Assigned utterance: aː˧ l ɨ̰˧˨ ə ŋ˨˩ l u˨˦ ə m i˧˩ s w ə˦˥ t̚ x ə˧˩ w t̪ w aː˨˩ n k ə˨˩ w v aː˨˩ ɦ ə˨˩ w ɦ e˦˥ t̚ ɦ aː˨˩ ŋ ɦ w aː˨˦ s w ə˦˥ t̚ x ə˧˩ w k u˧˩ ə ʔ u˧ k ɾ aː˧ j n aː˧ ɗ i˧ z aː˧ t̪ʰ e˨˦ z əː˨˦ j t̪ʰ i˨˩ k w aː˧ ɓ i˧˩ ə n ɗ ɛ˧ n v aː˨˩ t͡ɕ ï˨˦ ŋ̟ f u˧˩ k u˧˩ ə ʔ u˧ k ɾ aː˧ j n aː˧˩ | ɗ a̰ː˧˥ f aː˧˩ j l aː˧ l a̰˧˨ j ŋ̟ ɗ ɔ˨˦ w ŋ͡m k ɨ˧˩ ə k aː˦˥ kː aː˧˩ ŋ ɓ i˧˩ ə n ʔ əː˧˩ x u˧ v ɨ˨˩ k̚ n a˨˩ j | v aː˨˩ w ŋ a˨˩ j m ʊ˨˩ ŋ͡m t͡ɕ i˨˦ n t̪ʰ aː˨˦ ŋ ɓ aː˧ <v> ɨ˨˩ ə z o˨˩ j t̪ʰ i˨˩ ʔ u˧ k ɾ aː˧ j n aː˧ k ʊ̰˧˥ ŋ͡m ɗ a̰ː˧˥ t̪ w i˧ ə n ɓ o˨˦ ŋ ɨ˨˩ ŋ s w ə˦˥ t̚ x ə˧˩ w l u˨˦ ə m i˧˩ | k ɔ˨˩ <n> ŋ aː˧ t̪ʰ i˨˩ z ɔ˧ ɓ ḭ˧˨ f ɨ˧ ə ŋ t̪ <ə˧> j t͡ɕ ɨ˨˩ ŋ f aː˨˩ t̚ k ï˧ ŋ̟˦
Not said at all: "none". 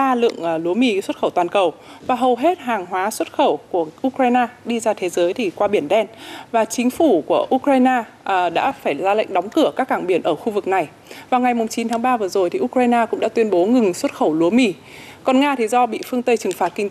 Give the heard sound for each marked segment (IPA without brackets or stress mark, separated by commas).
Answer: v, n, ə˧